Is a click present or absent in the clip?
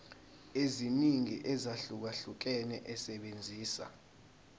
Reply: absent